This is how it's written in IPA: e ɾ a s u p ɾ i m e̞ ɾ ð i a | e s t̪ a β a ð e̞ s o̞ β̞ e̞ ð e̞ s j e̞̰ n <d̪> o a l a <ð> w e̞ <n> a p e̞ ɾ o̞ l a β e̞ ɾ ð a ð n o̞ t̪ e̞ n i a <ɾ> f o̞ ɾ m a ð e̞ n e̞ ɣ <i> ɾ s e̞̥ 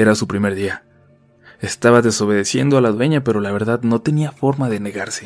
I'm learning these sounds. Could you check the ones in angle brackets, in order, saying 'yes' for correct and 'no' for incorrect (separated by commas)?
yes, yes, no, no, no